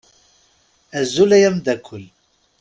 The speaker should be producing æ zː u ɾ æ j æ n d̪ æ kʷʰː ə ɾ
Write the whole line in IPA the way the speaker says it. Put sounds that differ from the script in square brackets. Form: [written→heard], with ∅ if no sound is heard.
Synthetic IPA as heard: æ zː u [ɾ→l] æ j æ [n→m] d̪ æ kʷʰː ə [ɾ→l]

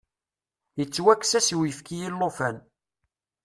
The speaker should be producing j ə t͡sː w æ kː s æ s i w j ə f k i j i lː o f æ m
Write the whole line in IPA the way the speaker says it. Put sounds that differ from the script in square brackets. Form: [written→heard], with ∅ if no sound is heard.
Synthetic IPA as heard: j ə t͡sː w æ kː s æ s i w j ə f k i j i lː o f æ [m→n]

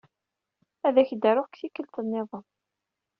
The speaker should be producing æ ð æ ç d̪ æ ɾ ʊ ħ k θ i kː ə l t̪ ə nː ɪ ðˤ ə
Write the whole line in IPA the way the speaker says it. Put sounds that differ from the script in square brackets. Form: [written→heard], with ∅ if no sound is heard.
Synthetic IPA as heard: æ ð æ ç d̪ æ ɾ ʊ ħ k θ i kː ə l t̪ ə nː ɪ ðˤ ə

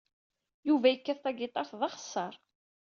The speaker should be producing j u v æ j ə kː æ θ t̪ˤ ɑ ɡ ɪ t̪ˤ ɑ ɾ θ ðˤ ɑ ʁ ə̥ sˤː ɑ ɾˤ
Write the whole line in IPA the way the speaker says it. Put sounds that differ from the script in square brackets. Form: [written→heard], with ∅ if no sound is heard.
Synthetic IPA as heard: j u v æ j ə kː æ θ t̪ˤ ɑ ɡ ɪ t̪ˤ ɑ ɾ θ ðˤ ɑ [ʁ→χ] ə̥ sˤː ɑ ɾˤ

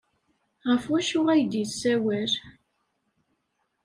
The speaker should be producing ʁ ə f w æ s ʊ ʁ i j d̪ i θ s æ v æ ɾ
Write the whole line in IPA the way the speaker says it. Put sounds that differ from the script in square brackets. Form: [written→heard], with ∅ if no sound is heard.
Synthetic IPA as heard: ʁ ə f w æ [s→ʃ] ʊ ʁ [i→æ] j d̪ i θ s æ [v→w] æ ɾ

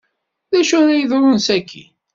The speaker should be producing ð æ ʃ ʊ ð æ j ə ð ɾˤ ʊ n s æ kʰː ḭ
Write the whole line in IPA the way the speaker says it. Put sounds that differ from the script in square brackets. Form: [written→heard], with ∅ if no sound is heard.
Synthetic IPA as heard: ð æ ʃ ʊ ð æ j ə ð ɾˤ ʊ n s æ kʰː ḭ

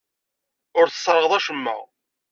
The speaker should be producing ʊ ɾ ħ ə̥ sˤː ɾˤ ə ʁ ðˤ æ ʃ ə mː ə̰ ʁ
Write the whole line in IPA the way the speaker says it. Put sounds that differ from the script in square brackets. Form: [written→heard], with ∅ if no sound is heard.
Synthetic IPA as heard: ʊ ɾ [ħ→θ] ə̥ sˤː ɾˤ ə ʁ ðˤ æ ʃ ə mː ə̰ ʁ

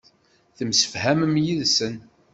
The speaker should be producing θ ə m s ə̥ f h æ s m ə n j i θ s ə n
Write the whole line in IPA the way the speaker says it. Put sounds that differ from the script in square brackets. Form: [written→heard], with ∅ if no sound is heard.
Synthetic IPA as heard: θ ə m s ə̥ f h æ [s→∅] m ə [n→m] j i [θ→ð] s ə n

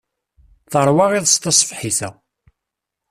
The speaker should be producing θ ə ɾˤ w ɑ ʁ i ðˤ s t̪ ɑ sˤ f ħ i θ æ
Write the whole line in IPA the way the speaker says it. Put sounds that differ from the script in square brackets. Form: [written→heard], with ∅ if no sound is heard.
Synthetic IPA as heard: θ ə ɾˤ w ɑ ʁ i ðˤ s t̪ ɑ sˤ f ħ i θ æ

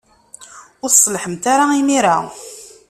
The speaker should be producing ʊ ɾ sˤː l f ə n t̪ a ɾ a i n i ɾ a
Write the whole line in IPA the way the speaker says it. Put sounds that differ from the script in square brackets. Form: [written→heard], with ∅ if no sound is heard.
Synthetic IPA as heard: ʊ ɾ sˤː l [f→ħ] ə [n→m] t̪ a ɾ a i [n→m] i ɾ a

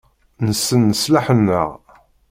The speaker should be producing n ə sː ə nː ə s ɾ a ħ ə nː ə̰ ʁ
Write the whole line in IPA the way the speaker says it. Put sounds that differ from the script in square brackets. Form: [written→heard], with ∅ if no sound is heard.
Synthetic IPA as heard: n ə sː ə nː ə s [ɾ→l] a ħ ə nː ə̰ ʁ

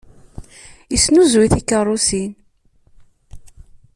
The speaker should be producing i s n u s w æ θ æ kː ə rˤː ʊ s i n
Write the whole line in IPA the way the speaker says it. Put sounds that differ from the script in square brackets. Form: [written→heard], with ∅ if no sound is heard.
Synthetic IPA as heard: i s n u [s→z] w [æ→i] θ [æ→i] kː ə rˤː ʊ s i n

